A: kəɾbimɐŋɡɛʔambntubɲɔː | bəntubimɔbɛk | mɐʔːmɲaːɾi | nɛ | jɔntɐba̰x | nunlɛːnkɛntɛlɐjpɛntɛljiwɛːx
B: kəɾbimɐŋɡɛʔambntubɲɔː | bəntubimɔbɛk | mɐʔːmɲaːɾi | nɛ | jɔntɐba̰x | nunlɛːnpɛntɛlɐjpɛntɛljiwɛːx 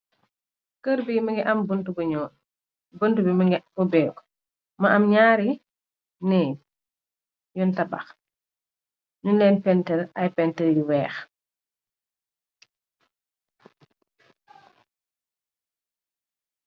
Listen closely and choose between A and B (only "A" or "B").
B